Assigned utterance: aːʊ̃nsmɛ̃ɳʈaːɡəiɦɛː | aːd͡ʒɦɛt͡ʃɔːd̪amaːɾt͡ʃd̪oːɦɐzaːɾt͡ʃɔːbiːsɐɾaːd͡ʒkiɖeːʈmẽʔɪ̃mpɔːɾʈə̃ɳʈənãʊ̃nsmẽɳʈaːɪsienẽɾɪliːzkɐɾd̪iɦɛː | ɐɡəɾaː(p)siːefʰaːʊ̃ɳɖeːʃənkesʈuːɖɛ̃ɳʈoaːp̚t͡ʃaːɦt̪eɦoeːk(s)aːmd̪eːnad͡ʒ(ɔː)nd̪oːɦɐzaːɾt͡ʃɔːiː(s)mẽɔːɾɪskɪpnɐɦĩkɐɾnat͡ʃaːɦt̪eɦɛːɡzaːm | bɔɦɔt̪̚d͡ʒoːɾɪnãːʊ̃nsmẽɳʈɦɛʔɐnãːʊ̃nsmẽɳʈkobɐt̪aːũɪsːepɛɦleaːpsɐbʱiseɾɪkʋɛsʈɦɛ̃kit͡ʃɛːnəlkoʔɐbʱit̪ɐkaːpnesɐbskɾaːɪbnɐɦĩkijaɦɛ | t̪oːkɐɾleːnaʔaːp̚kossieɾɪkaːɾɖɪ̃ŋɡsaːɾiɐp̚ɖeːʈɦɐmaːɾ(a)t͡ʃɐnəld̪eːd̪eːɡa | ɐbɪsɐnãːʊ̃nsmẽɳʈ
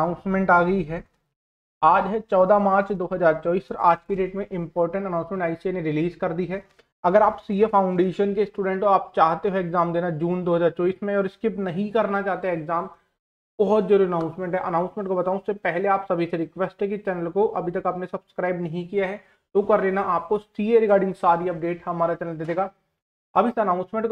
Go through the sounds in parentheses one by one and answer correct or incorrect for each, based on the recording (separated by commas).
correct, incorrect, incorrect, correct, correct